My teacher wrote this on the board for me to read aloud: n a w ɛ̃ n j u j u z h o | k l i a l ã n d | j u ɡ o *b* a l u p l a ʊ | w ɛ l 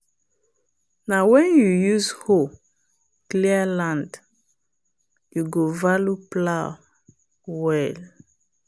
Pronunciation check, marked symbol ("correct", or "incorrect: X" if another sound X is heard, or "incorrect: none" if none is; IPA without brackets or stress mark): incorrect: v